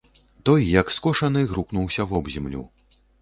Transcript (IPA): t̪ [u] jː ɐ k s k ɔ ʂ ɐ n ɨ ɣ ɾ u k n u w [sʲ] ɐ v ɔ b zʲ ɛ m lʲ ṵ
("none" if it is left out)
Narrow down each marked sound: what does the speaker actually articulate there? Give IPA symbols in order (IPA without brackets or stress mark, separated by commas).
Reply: ɔ, sʲ